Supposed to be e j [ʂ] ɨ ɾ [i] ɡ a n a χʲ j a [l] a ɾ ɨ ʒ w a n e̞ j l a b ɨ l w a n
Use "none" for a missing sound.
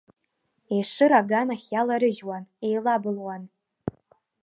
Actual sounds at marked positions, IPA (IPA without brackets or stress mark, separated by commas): ʂ, a, l